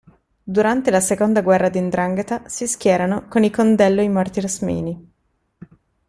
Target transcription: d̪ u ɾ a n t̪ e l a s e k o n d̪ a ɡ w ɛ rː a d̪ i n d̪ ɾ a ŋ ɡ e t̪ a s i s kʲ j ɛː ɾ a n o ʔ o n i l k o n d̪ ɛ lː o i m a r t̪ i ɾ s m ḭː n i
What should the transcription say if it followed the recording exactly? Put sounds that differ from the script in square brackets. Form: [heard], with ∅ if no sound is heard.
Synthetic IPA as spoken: d̪ u ɾ a n t̪ e l a s e k o n d̪ a ɡ w ɛ rː a d̪ i n d̪ ɾ a ŋ ɡ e t̪ a s i s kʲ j ɛː ɾ a n o [k] o n i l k o n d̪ ɛ lː o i m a r t̪ i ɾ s m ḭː n i